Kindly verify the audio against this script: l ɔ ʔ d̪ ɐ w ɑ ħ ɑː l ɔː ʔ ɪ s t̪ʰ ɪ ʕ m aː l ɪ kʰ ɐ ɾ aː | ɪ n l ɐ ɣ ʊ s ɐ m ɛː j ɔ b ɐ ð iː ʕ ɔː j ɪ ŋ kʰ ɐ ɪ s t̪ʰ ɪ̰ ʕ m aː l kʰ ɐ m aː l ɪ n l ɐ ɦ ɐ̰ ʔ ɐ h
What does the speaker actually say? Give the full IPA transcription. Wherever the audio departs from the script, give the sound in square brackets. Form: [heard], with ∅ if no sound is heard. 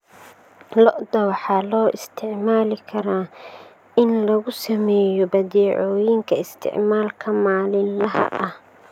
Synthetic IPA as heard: l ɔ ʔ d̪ ɐ w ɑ ħ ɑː l ɔː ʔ ɪ s t̪ʰ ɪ ʕ m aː l ɪ kʰ ɐ ɾ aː | ɪ n l ɐ ɣ ʊ s ɐ m ɛː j ɔ b ɐ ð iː ʕ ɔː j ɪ ŋ kʰ ɐ ɪ s t̪ʰ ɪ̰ ʕ m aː l kʰ ɐ m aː l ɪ n l ɐ ɦ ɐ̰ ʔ ɐ h